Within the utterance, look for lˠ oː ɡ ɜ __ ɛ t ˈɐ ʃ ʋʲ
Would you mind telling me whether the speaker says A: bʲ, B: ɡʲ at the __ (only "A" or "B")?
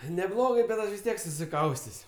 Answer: A